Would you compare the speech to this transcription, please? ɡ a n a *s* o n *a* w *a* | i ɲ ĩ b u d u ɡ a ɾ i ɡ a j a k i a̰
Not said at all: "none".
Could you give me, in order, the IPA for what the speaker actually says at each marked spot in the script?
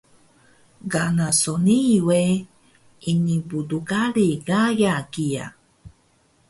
s, i, e

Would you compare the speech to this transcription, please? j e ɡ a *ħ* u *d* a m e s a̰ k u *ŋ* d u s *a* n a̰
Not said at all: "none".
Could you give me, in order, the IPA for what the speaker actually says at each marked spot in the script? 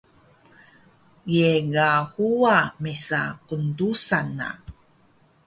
h, none, n, a

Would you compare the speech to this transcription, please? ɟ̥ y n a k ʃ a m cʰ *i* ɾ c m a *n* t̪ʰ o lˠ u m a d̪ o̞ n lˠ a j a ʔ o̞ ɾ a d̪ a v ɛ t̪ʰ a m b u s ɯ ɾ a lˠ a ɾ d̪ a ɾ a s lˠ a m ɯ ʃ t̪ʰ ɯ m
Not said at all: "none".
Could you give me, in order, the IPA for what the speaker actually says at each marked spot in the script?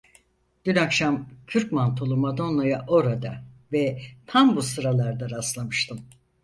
y, n

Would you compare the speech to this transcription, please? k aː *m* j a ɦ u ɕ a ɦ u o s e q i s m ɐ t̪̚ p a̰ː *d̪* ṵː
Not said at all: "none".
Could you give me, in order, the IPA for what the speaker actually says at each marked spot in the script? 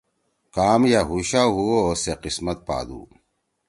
m, d̪

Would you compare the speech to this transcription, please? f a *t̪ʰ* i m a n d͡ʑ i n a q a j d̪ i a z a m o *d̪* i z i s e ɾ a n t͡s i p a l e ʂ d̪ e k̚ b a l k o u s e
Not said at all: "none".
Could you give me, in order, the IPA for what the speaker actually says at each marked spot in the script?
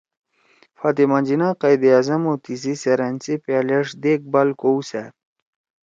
t̪, t̪

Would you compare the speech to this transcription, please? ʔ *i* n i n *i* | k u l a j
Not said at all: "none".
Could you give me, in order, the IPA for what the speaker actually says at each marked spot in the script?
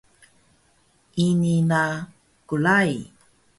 i, a

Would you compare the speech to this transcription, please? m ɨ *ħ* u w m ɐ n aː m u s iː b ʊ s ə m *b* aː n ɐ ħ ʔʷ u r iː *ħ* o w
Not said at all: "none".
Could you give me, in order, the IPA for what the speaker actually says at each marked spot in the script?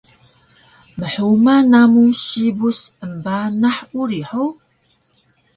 ħ, b, ħ

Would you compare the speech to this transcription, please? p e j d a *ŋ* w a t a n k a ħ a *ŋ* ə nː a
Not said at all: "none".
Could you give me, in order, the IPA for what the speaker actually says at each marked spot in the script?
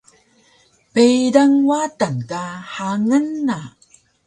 ŋ, ŋ

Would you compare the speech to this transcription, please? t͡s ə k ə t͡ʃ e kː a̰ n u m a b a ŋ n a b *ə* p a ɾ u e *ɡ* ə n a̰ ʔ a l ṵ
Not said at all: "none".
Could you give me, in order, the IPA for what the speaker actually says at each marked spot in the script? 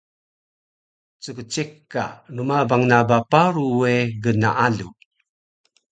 a, ɡ

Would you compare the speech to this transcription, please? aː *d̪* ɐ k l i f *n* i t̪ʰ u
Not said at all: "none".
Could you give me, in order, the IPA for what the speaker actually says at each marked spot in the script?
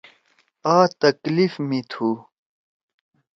t̪, m

